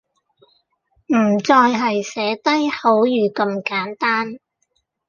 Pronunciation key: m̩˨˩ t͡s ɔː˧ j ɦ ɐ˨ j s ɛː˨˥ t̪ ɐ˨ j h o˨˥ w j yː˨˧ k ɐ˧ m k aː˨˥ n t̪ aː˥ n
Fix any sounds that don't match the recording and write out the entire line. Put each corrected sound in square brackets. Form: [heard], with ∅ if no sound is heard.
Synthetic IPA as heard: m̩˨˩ t͡s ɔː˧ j ɦ ɐ˨ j s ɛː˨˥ t̪ [ɐ˥] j h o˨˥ w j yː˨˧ k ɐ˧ m k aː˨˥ n t̪ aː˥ n